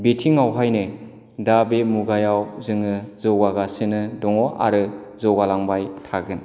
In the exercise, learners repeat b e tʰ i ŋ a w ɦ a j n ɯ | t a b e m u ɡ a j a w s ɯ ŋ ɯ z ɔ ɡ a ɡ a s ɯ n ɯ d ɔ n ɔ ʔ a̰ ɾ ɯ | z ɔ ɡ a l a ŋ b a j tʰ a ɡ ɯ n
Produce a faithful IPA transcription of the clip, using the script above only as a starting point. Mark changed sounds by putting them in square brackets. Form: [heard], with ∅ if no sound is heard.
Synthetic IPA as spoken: b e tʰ i ŋ a w ɦ a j n ɯ | [d] a b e m u ɡ a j a w [z] ɯ ŋ ɯ z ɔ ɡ a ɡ a s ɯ n ɯ d ɔ [ŋ] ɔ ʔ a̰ ɾ ɯ | z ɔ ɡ a l a ŋ b a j tʰ a ɡ ɯ n